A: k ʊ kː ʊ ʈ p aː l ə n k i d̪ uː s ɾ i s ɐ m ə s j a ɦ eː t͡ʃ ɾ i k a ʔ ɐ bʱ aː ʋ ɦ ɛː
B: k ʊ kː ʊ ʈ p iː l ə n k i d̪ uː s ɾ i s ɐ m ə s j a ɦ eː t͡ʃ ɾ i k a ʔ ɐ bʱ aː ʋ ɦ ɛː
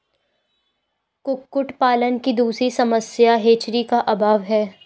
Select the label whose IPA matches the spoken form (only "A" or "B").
A